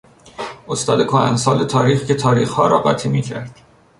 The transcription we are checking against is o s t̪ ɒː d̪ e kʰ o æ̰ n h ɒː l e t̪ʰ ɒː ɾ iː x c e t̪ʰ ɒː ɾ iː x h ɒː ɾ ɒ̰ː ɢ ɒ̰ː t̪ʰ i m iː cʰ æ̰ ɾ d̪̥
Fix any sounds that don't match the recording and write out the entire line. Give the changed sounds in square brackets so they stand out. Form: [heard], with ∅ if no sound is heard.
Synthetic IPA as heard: o s t̪ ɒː d̪ e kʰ o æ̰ n [s] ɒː l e t̪ʰ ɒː ɾ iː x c e t̪ʰ ɒː ɾ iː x h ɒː ɾ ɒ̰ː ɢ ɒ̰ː t̪ʰ i m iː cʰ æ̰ ɾ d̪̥